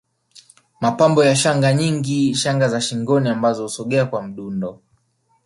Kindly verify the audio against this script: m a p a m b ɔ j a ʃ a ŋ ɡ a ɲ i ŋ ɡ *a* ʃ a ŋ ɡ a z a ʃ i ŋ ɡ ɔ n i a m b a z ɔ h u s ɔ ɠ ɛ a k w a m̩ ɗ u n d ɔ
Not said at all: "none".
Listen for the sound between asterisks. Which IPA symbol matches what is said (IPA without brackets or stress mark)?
i